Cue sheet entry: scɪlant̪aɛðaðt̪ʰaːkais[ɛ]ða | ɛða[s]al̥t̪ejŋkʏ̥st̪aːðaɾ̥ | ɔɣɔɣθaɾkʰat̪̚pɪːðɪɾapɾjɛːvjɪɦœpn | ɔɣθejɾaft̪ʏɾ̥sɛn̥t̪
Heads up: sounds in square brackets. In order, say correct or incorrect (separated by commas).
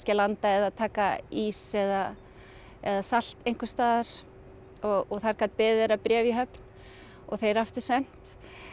correct, correct